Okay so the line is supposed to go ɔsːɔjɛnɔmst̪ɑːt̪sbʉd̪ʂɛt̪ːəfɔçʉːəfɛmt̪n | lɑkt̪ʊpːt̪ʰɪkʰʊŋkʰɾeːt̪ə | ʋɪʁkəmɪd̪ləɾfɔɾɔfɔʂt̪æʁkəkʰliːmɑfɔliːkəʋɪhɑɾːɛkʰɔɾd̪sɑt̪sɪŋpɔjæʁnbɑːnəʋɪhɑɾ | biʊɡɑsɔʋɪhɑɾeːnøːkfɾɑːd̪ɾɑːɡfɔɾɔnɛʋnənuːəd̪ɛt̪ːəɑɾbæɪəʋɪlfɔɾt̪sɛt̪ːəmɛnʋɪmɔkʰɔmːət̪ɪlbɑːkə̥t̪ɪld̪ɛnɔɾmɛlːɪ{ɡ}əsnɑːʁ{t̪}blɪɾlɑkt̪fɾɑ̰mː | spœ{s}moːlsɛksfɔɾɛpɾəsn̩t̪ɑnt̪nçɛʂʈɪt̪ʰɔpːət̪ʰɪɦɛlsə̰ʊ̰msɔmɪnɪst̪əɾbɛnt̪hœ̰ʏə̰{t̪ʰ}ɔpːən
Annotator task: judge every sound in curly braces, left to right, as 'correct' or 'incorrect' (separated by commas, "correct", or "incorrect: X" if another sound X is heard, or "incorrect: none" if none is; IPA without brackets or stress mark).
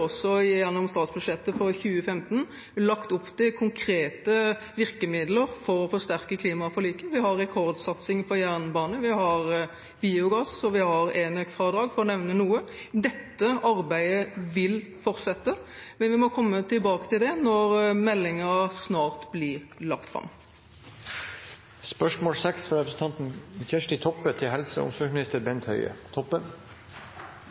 incorrect: ŋ, correct, incorrect: ʂ, correct